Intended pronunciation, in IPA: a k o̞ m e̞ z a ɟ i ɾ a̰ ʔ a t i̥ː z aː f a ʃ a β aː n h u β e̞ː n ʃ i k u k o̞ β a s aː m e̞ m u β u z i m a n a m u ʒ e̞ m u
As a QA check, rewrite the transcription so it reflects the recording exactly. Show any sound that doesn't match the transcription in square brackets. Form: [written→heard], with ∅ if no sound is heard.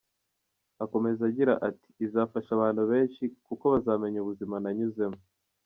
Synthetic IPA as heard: a k o̞ m e̞ z a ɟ i ɾ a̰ ʔ a t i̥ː z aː f a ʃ a β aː n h u β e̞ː n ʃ i k u k o̞ β a [s→z] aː m e̞ [m→ɲ] u β u z i m a n a [m→ɲ] u [ʒ→z] e̞ m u